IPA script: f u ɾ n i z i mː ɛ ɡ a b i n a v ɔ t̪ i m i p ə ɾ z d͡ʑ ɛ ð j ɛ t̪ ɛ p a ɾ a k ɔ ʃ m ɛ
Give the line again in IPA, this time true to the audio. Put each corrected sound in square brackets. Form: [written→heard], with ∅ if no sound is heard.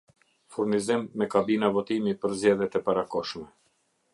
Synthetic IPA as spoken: f u ɾ n i z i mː ɛ [ɡ→k] a b i n a v ɔ t̪ i m i p ə ɾ z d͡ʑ ɛ ð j ɛ t̪ ɛ p a ɾ a k ɔ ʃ m ɛ